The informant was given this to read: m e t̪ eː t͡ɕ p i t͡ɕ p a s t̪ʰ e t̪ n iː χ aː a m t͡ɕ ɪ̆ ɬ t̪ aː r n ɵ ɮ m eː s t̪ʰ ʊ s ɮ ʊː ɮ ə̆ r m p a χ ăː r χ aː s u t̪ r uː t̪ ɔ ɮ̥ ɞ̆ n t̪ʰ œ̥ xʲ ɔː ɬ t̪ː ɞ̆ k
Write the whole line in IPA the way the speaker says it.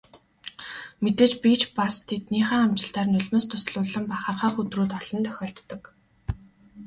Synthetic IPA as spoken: m e t̪ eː t͡ɕ p i t͡ɕ p a s t̪ʰ e t̪ n iː χ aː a m t͡ɕ ɪ̆ ɬ t̪ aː r n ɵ ɮ m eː s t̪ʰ ʊ s ɮ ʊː ɮ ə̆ m p a χ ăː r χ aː χ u t̪ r uː t̪ ɔ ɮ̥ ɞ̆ n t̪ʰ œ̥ xʲ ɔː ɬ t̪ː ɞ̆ k